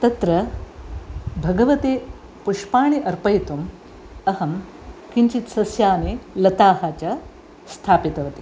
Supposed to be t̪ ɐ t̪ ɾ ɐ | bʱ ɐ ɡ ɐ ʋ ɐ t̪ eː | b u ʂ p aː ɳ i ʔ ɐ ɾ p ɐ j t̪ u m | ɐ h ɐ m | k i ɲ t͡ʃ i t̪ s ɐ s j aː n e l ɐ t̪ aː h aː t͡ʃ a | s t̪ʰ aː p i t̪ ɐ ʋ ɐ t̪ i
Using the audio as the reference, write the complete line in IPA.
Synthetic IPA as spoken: t̪ ɐ t̪ ɾ ɐ | bʱ ɐ ɡ ɐ ʋ ɐ t̪ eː | p u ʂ p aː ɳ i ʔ ɐ ɾ p ɐ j t̪ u m | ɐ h ɐ m | k i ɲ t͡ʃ i t̪ s ɐ s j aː n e l ɐ t̪ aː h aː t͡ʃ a | s t̪ʰ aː p i t̪ ɐ ʋ ɐ t̪ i